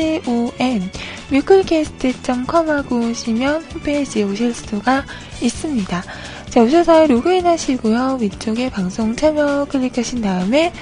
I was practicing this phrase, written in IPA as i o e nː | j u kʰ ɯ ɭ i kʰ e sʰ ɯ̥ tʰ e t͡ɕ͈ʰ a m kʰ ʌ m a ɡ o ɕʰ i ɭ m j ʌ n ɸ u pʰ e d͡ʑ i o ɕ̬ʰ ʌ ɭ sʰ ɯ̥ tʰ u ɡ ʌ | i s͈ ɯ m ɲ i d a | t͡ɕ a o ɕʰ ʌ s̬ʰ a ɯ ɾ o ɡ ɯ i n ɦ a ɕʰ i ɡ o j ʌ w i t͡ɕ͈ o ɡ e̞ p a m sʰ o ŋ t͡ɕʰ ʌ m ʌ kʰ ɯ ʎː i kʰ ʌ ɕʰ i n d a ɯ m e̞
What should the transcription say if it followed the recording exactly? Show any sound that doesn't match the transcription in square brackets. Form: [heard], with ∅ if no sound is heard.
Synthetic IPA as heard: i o e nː | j u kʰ ɯ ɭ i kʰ e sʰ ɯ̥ tʰ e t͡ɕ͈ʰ [ʌ] m kʰ ʌ m a ɡ o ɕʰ i [∅] m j ʌ n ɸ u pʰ e d͡ʑ i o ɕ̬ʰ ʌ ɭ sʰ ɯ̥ tʰ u ɡ [a] | i s͈ ɯ m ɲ i d a | t͡ɕ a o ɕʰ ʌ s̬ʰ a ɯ ɾ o ɡ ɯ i n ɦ a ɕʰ i ɡ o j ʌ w i t͡ɕ͈ o ɡ e̞ p a [ŋ] sʰ o ŋ t͡ɕʰ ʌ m ʌ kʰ ɯ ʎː i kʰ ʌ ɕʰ i n d a ɯ m e̞